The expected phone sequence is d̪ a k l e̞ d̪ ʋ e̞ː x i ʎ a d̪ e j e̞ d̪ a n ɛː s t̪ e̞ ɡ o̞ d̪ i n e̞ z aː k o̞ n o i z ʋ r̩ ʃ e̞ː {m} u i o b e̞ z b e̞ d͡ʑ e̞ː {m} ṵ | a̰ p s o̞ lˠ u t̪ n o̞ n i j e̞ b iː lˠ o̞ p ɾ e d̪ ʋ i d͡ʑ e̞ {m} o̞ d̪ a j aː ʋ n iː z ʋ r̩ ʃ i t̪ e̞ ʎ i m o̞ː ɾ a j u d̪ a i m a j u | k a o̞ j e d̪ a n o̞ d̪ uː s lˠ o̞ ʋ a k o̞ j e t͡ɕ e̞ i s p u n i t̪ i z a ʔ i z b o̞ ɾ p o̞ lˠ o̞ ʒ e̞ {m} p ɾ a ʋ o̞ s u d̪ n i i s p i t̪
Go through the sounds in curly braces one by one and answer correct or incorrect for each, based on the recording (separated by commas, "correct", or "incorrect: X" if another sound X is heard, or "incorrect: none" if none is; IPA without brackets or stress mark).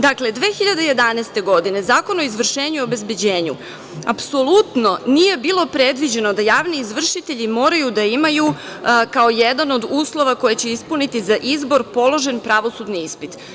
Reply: incorrect: ɲ, incorrect: ɲ, incorrect: n, incorrect: n